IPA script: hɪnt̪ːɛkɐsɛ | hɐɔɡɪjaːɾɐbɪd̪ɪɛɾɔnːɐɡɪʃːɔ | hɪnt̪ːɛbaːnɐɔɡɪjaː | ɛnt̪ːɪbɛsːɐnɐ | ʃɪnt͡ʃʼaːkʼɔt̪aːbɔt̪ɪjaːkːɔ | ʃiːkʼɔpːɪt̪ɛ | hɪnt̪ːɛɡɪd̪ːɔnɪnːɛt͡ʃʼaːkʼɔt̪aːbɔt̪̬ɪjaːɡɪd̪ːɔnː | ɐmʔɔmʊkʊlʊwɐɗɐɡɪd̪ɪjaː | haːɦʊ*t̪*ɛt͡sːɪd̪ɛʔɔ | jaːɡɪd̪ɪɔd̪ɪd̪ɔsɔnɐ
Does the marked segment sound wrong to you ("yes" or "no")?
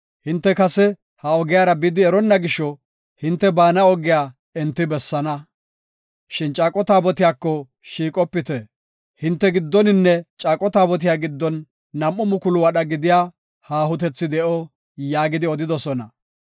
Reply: no